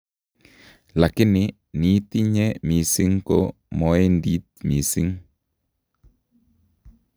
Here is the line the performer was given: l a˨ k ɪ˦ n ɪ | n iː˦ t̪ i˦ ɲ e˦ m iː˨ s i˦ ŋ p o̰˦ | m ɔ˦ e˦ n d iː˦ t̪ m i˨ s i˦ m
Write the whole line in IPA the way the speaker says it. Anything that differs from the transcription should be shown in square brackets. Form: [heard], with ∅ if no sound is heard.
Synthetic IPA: l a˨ k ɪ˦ n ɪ | n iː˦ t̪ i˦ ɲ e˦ m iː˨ s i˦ ŋ [k] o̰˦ | m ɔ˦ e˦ n d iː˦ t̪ m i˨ s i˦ [ŋ]